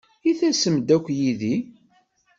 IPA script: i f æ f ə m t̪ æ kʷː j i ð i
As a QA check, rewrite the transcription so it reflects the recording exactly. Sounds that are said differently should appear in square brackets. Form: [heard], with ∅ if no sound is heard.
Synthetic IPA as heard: i [θ] æ [s] ə m [d̪] æ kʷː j i ð i